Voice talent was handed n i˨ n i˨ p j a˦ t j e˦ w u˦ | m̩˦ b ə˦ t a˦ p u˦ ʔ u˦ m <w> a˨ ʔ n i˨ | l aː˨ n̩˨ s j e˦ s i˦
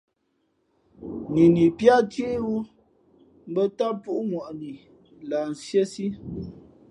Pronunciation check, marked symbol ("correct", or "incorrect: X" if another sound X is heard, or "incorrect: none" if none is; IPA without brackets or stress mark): correct